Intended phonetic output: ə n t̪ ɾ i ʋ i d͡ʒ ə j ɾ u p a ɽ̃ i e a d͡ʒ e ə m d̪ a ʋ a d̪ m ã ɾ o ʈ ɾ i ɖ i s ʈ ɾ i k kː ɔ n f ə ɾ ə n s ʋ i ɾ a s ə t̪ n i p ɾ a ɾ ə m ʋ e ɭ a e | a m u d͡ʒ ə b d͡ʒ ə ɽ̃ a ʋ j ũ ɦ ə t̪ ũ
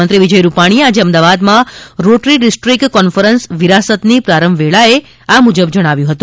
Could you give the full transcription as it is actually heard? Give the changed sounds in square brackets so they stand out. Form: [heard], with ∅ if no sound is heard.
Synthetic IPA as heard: ə n t̪ ɾ i ʋ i d͡ʒ ə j ɾ u p a ɽ̃ i e a d͡ʒ e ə m d̪ a ʋ a d̪ m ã ɾ o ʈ ɾ i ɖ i s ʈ ɾ i k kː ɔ n f ə ɾ ə n s ʋ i ɾ a s ə t̪ n i p ɾ a ɾ ə m ʋ e ɭ a e | a m u d͡ʒ ə b d͡ʒ ə ɽ̃ a ʋ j ũ ɦ ə t̪ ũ